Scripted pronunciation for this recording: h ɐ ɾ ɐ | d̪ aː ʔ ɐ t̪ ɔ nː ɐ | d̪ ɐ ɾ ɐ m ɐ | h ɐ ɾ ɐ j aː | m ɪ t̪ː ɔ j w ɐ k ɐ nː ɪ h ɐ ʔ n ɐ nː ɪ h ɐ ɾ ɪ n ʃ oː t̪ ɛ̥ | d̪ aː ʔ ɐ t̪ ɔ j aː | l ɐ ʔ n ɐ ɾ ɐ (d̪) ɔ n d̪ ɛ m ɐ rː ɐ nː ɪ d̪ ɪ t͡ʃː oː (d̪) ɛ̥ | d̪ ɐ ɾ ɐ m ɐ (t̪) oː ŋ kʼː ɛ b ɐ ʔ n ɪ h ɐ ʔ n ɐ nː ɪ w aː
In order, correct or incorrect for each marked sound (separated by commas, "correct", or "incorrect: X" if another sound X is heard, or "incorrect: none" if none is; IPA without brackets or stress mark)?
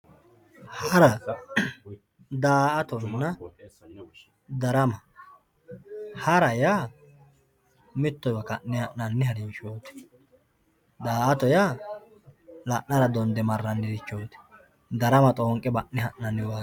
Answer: correct, incorrect: t̪, incorrect: t̪ʼ